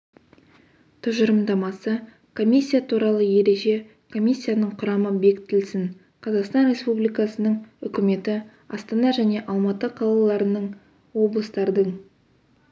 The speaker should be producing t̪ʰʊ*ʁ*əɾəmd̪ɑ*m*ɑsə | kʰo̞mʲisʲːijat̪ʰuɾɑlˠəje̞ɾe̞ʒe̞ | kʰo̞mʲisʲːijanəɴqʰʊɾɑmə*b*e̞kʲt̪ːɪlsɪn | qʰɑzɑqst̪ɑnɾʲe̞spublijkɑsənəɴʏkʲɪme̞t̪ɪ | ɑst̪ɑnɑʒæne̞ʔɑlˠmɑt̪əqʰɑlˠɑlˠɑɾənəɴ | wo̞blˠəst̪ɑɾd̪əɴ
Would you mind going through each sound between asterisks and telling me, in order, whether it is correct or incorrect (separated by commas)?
incorrect, correct, correct